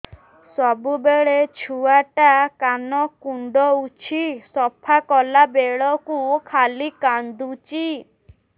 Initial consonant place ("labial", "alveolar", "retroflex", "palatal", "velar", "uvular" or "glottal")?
alveolar